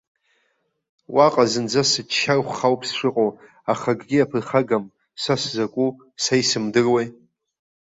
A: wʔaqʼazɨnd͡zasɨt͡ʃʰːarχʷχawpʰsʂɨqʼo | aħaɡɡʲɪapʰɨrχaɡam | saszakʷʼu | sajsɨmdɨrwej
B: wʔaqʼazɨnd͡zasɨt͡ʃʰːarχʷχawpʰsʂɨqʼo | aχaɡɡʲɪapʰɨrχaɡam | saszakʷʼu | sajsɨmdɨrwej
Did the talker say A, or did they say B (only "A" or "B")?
B